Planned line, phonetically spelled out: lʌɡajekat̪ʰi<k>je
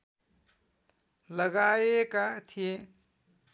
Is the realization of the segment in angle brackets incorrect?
yes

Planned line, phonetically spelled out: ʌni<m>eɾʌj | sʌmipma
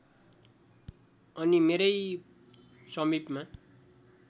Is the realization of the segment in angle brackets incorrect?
no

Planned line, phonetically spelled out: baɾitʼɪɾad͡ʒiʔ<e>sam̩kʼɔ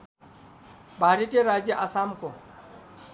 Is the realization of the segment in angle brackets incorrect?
yes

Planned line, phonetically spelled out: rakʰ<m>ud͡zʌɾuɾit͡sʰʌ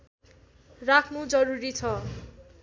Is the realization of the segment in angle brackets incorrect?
yes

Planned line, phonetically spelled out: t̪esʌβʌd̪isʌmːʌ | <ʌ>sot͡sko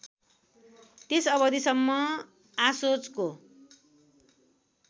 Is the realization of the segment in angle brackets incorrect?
yes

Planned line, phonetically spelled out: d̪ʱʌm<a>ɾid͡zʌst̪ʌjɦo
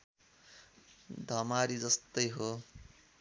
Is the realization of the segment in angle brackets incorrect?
no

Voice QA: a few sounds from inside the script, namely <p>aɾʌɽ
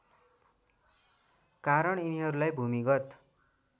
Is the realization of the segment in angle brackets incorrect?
yes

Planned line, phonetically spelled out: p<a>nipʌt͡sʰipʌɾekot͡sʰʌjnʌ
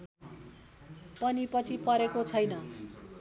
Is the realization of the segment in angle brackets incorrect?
yes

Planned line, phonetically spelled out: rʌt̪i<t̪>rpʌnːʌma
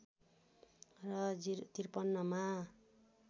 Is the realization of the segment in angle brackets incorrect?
yes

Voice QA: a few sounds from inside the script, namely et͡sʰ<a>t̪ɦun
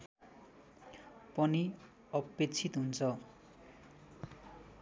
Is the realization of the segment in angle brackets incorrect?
yes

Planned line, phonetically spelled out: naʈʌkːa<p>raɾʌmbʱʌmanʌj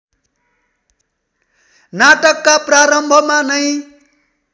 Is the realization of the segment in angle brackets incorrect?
no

